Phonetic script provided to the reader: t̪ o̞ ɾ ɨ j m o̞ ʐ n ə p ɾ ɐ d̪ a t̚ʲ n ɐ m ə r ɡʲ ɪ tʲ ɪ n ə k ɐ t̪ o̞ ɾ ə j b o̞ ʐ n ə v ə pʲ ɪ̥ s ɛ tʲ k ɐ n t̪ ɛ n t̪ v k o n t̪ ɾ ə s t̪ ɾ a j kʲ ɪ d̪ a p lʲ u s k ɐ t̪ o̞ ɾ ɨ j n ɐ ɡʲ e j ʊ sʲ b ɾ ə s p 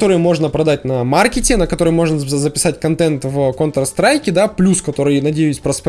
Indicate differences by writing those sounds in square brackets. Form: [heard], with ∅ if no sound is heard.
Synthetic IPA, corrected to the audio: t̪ o̞ ɾ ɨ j m o̞ ʐ n ə p ɾ ɐ d̪ a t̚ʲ n ɐ m [a] r [kʲ] ɪ tʲ ɪ n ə k ɐ t̪ o̞ ɾ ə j [m] o̞ ʐ n ə [z] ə pʲ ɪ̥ s [a] tʲ k ɐ n t̪ ɛ n t̪ v k o n t̪ ɾ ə s t̪ ɾ a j kʲ ɪ d̪ a p lʲ u s k ɐ t̪ o̞ ɾ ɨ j n ɐ [dʲ] e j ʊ sʲ [p] ɾ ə s p